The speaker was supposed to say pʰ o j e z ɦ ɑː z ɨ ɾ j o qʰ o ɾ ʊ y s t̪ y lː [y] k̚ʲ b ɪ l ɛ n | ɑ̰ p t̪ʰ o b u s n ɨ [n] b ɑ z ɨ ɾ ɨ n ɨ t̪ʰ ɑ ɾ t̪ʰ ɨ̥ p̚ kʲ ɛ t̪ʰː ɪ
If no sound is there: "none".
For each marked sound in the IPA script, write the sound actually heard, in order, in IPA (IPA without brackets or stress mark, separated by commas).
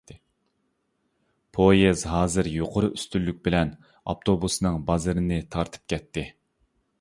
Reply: y, ŋ